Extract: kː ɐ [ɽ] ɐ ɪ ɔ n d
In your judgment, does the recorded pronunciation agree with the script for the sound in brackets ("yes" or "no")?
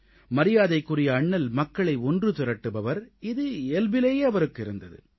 no